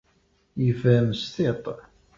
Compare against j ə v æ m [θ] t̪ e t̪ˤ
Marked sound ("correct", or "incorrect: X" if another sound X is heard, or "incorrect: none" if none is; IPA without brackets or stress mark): incorrect: s